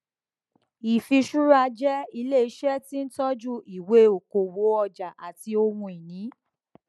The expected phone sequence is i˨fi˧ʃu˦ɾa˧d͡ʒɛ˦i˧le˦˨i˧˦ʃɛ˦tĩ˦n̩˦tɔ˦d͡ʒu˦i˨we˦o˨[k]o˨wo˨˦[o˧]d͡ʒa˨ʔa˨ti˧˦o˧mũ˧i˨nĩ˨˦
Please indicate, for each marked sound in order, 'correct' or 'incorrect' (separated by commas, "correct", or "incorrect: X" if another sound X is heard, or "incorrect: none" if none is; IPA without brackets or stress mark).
correct, incorrect: ɔ˧